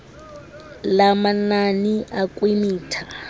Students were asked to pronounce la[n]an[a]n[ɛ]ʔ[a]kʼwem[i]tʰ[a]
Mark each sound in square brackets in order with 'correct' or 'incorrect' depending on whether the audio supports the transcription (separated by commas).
incorrect, correct, incorrect, correct, incorrect, correct